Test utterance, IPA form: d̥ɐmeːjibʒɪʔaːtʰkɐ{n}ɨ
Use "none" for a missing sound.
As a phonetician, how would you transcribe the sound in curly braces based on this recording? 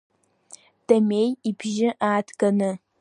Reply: n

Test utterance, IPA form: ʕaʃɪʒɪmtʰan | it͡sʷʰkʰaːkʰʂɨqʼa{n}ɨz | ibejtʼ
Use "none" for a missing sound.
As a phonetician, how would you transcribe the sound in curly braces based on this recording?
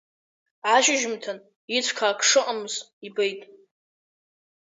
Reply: m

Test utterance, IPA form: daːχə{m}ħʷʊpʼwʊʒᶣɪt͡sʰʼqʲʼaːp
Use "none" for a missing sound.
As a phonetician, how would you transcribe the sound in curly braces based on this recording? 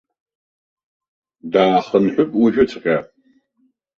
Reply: n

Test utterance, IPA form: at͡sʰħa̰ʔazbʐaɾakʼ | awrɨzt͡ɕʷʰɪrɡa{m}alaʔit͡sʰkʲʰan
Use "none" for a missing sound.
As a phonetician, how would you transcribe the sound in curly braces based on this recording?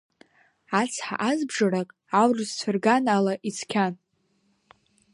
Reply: n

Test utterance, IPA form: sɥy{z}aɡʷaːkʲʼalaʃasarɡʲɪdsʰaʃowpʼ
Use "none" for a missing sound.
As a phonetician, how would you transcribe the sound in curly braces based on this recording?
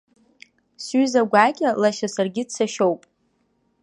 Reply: z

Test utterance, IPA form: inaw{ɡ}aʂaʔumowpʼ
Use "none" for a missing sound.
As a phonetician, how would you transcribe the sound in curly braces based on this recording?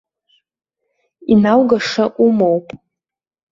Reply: ɡ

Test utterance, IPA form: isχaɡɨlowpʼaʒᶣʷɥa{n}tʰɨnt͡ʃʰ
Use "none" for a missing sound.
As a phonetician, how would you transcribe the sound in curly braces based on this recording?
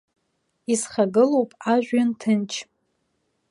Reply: n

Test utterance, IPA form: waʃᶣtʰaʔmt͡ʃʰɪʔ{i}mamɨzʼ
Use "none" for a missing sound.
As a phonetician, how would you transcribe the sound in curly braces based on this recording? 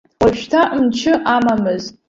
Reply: a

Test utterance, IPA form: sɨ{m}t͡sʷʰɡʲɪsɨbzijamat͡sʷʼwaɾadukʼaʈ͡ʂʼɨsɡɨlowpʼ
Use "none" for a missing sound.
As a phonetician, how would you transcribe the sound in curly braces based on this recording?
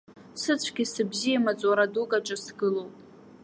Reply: none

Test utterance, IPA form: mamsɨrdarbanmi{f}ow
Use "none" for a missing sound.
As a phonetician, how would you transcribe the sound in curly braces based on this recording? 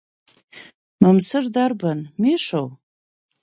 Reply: ʂ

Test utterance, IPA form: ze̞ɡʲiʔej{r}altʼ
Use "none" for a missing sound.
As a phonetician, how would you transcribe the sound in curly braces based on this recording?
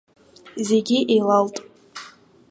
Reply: l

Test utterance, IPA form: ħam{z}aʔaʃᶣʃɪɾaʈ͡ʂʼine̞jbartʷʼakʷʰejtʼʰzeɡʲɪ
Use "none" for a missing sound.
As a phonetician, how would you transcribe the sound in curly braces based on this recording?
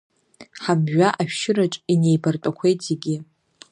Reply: ʒ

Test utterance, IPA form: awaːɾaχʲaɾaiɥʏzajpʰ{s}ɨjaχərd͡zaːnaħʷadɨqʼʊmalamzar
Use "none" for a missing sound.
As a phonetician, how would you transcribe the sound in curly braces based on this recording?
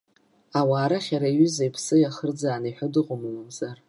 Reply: s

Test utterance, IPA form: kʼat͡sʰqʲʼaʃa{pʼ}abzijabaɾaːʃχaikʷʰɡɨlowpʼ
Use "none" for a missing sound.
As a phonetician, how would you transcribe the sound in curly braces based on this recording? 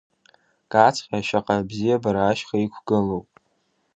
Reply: qʼ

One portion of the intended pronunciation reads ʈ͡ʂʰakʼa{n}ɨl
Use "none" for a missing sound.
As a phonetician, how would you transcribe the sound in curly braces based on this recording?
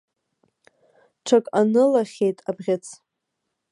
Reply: n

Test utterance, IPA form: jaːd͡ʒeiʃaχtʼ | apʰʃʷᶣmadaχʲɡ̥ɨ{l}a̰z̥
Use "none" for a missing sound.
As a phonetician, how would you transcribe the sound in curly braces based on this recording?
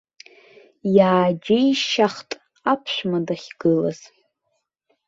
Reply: l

